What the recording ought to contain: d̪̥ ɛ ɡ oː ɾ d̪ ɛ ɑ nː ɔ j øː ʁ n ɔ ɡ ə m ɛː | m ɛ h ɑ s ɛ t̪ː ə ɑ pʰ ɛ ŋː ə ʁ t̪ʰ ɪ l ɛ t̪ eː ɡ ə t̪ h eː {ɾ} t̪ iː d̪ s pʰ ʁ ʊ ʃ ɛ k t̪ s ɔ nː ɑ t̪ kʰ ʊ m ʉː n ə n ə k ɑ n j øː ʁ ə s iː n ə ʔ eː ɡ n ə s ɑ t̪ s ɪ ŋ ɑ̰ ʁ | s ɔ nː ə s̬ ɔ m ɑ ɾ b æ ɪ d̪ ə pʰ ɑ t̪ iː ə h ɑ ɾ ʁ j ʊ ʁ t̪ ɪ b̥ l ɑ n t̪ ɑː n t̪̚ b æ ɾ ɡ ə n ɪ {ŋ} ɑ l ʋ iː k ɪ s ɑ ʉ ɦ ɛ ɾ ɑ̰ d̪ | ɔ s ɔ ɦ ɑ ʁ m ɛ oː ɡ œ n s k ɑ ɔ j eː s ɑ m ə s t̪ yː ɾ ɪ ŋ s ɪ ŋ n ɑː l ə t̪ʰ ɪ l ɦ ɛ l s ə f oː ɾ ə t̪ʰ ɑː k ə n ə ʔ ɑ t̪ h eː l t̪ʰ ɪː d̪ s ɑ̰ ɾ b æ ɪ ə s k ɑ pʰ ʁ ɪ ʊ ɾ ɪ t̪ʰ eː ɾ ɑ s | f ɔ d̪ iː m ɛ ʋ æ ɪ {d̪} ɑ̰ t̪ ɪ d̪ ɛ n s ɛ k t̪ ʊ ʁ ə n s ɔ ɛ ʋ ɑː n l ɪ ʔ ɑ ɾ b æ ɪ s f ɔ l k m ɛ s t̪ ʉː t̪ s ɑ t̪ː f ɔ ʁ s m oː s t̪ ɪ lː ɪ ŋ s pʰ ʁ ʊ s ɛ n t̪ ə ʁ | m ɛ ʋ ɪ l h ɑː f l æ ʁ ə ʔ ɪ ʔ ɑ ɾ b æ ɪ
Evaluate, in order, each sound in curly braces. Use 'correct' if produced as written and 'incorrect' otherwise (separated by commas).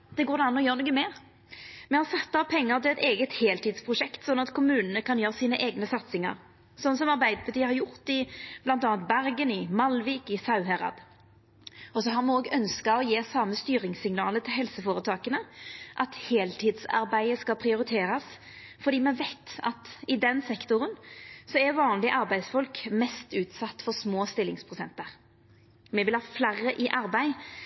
incorrect, incorrect, incorrect